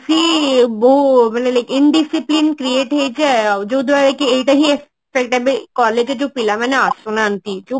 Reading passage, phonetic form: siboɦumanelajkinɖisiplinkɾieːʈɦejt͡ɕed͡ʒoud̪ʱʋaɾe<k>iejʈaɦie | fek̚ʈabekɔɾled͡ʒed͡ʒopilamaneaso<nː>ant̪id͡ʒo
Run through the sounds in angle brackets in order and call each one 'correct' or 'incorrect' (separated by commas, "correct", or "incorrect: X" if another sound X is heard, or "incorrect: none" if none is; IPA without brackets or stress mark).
correct, incorrect: n